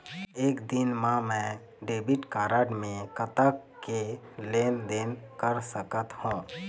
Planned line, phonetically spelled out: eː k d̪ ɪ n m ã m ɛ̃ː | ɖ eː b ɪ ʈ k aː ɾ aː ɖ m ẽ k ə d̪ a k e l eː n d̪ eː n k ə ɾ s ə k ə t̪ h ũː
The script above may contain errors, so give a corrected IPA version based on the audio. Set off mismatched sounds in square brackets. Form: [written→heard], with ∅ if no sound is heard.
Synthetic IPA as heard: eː k d̪ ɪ n m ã m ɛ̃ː | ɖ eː b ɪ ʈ k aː ɾ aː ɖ m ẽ k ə [d̪→t̪] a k e l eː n d̪ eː n k ə ɾ s ə k ə t̪ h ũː